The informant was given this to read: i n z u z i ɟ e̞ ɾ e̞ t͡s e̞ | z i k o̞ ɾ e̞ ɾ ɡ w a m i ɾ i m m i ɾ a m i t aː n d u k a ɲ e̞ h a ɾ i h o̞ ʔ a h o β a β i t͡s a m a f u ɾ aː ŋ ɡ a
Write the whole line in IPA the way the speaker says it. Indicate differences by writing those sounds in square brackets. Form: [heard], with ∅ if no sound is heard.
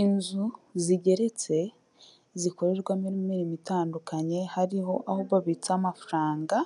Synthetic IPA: i n z u z i ɟ e̞ ɾ e̞ t͡s e̞ | z i k o̞ ɾ e̞ ɾ ɡ w a m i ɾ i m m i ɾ [i] m i t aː n d u k a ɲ e̞ h a ɾ i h o̞ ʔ a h o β a β i t͡s a m a f u ɾ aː ŋ ɡ a